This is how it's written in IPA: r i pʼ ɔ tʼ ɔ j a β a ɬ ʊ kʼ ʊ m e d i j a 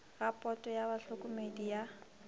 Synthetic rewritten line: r a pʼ ɔ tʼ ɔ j a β a ɬ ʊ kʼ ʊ m e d i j a